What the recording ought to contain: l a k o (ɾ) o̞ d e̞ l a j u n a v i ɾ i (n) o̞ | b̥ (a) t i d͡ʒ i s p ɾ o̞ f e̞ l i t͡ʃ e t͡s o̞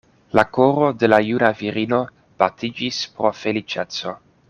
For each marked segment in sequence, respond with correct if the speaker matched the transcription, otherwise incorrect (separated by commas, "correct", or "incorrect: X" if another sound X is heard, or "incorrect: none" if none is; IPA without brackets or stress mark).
correct, correct, correct